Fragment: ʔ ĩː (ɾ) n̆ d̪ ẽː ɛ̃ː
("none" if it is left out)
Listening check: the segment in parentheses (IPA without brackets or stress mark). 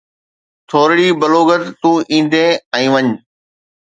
none